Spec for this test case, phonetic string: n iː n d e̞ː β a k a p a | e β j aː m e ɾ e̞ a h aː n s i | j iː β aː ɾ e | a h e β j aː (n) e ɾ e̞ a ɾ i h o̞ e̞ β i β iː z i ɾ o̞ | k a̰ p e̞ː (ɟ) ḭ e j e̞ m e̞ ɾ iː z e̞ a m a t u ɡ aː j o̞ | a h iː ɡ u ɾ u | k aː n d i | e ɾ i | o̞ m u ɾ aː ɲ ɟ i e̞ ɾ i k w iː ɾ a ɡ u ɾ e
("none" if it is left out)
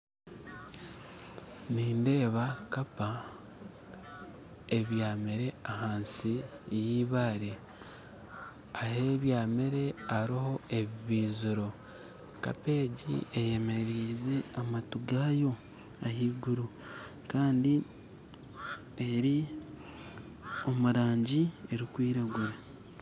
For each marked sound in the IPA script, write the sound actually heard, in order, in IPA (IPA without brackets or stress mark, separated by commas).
m, ɟ